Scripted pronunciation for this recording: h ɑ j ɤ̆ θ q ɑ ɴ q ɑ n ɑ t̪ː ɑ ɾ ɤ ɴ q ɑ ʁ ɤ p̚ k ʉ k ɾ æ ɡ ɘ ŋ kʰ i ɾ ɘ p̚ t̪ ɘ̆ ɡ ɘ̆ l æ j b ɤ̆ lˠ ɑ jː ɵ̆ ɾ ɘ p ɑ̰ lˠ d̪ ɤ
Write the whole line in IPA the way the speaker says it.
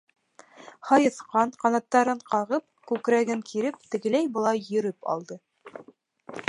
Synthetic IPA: h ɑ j ɤ̆ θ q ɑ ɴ q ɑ n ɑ t̪ː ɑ ɾ ɤ ɴ q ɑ ʁ ɤ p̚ k ʉ k ɾ æ ɡ ɘ ŋ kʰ i ɾ ɘ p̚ t̪ ɘ̆ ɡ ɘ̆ l æ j b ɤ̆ lˠ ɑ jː ɵ̆ ɾ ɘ p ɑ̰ lˠ d̪ ɤ

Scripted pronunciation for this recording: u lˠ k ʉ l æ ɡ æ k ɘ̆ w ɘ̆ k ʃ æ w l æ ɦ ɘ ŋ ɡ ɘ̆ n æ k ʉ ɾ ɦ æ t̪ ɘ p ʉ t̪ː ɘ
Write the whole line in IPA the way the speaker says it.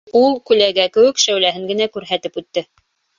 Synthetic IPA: u lˠ k ʉ l æ ɡ æ k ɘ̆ w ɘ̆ k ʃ æ w l æ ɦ ɘ ŋ ɡ ɘ̆ n æ k ʉ ɾ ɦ æ t̪ ɘ p ʉ t̪ː ɘ

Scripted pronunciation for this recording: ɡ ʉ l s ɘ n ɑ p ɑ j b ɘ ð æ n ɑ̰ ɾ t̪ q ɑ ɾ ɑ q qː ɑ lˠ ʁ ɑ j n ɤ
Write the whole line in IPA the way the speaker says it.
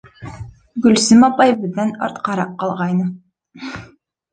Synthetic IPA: ɡ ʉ l s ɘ m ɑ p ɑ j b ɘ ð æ n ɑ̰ ɾ t̪ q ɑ ɾ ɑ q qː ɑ lˠ ʁ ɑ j n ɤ

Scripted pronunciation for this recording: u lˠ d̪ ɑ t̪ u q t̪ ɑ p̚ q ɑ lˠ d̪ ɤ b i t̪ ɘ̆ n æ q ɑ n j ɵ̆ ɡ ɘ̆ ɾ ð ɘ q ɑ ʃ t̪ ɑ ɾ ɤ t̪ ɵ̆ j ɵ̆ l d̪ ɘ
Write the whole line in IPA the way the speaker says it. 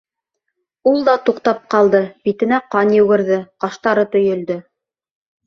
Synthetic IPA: u lˠ d̪ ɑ t̪ u q t̪ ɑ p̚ q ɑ lˠ d̪ ɤ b i t̪ ɘ̆ n æ q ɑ n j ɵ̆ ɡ ɘ̆ ɾ ð ɘ q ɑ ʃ t̪ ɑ ɾ ɤ t̪ ɵ̆ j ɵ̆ l d̪ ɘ

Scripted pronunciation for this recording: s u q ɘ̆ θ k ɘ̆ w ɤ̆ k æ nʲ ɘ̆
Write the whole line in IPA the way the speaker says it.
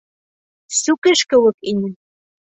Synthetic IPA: s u k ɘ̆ ʃ k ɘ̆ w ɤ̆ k i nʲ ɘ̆

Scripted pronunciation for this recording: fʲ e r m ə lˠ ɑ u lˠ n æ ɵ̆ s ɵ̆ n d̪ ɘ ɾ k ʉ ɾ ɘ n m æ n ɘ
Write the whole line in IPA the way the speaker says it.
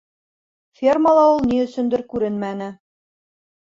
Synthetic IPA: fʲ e r m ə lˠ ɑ u lˠ n i ɵ̆ s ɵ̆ n d̪ ɘ ɾ k ʉ ɾ ɘ n m æ n ɘ

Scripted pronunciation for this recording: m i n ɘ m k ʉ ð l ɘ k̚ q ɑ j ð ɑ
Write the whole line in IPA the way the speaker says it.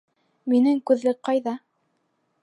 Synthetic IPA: m i n ɘ ŋ k ʉ ð l ɘ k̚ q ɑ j ð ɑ

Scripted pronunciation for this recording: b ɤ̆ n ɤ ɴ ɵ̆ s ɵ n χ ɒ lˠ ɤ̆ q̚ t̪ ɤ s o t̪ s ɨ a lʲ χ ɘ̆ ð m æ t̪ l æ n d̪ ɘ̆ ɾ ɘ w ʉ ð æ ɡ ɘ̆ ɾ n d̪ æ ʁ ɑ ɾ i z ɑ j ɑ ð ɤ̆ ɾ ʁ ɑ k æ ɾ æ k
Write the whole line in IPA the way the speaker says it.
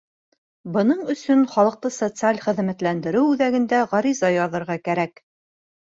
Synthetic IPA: b ɤ̆ n ɤ ɴ ɵ̆ s ɵ n χ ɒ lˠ ɤ̆ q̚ t̪ ɤ s o t̪ s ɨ a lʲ χ ɘ̆ ð m æ t̪ l æ n d̪ ɘ̆ ɾ ɘ w ʉ ð æ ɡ ɘ̆ n d̪ æ ʁ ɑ ɾ i z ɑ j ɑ ð ɤ̆ ɾ ʁ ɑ k æ ɾ æ k

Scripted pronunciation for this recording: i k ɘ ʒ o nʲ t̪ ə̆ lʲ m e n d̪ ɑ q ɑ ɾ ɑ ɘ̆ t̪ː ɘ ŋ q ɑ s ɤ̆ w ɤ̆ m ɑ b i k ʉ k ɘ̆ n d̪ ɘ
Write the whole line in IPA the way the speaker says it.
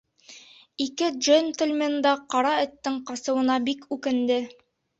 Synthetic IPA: i k ɘ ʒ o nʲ t̪ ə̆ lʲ m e n d̪ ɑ q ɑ ɾ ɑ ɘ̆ t̪ː ɘ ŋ q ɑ s ɤ̆ w ɤ̆ n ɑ b i k ʉ k ɘ̆ n d̪ ɘ

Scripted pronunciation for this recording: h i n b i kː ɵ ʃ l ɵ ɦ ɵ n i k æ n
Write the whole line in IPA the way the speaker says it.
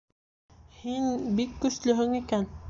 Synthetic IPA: h i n b i kː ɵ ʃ l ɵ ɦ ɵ ŋ i k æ n

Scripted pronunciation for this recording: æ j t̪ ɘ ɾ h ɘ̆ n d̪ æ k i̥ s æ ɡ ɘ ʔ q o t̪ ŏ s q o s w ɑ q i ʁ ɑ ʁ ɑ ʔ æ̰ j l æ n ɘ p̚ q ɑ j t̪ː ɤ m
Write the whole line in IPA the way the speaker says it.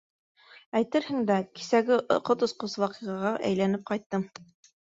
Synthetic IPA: æ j t̪ ɘ ɾ h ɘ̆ ŋ d̪ æ k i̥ s æ ɡ ɘ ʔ q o t̪ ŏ s q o s w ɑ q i ʁ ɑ ʁ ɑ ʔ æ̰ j l æ n ɘ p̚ q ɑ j t̪ː ɤ m

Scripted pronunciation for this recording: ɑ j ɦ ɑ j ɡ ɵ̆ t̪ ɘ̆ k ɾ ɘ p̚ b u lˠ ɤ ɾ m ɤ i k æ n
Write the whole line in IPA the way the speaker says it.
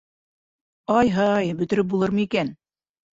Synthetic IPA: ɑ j ɦ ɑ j b ɵ̆ t̪ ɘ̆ ɾ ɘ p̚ b u lˠ ɤ ɾ m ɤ i k æ n

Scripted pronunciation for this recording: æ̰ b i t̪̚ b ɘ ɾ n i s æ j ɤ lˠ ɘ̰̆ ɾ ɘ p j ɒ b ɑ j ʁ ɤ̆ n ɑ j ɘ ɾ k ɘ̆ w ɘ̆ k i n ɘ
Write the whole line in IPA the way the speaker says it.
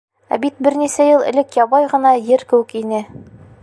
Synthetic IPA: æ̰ b i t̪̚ b ɘ ɾ n i s æ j ɤ lˠ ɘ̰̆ l ɘ k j ɒ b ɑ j ʁ ɤ̆ n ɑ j ɘ ɾ k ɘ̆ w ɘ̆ k i n ɘ

